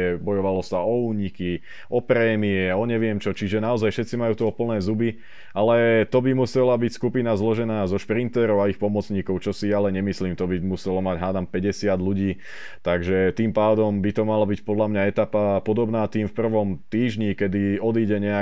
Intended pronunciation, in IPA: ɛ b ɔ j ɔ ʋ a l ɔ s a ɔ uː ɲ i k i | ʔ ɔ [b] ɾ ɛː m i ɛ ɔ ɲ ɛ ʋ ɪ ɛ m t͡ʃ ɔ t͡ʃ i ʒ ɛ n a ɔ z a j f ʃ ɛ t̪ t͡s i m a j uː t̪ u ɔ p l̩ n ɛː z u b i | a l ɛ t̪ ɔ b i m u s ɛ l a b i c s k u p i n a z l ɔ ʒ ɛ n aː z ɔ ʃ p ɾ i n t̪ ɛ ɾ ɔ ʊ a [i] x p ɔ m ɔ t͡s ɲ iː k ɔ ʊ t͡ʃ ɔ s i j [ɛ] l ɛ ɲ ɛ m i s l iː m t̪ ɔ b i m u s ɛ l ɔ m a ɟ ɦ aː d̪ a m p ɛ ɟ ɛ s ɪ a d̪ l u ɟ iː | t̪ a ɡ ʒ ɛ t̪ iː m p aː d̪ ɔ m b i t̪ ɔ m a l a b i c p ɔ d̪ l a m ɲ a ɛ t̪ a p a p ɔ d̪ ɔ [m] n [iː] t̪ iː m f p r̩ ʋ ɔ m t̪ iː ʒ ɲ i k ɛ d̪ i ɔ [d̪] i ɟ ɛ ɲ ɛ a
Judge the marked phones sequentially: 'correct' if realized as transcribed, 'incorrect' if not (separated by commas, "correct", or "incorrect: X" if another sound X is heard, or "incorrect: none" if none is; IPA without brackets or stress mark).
incorrect: p, correct, incorrect: a, incorrect: b, incorrect: aː, correct